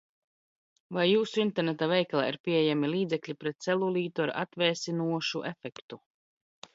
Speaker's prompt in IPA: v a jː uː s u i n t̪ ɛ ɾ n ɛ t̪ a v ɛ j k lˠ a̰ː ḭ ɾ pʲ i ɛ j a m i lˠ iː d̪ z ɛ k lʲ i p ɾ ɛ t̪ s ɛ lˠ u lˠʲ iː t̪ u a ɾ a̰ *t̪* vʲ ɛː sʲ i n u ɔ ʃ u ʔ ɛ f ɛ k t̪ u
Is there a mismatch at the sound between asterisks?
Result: no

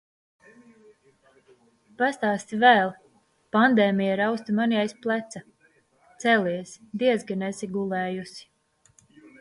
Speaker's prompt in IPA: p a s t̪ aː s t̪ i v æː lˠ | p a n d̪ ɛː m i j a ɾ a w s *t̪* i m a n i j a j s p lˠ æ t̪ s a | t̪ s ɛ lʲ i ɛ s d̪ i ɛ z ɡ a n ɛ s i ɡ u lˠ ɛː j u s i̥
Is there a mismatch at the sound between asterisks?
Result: no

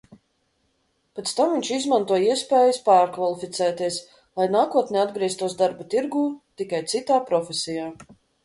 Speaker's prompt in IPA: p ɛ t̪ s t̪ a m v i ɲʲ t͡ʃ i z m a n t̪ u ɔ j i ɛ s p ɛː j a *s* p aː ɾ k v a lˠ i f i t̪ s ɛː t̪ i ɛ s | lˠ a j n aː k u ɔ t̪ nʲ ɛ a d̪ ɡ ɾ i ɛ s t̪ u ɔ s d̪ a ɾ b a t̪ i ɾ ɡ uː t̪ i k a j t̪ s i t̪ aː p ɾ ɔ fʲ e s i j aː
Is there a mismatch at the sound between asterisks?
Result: no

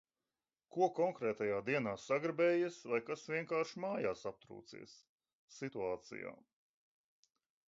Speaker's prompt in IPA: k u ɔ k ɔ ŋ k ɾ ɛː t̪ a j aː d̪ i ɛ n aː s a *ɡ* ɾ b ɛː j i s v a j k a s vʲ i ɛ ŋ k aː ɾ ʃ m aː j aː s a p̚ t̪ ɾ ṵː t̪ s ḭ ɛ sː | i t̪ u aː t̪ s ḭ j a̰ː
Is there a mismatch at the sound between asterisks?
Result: no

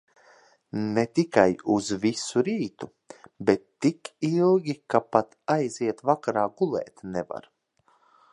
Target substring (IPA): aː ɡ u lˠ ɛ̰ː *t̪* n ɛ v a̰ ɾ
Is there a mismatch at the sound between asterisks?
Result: no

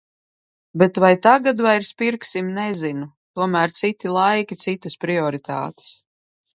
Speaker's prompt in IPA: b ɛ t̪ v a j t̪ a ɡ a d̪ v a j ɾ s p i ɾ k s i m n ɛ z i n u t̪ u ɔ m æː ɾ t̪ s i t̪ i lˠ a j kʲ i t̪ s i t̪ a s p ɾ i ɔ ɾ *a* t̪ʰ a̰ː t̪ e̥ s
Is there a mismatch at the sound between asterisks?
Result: yes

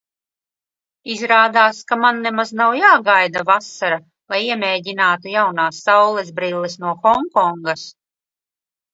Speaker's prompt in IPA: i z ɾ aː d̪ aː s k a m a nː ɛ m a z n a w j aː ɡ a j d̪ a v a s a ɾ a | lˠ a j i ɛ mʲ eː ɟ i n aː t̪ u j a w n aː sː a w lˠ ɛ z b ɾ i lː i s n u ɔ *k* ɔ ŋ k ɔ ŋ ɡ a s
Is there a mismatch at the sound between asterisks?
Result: yes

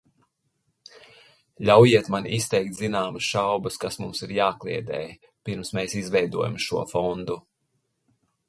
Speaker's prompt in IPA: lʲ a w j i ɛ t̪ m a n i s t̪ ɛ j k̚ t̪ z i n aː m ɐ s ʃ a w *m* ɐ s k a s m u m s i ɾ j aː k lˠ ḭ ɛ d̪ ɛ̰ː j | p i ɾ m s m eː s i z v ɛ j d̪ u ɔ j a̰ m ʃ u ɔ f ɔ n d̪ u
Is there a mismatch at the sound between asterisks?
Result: yes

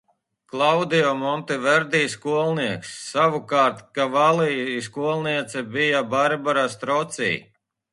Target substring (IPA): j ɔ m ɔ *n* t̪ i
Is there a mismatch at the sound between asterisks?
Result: no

